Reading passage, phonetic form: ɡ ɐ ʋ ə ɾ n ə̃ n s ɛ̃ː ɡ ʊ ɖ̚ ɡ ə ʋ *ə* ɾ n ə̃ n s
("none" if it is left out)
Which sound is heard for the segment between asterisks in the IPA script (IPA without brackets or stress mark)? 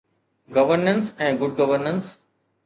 ə